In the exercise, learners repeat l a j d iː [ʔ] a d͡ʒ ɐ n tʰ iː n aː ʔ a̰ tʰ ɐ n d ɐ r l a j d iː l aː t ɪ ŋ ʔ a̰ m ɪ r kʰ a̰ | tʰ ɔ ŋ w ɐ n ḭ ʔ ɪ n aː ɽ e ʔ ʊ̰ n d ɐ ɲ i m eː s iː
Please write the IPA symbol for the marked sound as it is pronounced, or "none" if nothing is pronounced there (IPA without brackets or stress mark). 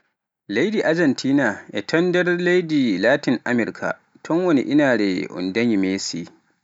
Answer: ʔ